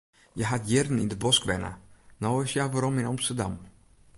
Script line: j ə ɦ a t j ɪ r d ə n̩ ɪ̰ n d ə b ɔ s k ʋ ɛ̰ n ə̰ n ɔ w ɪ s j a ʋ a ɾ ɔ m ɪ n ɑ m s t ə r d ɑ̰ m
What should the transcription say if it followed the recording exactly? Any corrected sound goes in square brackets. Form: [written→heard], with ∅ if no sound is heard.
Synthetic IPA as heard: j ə ɦ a t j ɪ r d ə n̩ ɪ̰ n d ə b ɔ s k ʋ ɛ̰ n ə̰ n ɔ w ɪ s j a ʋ a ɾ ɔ m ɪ n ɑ m s t ə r d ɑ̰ m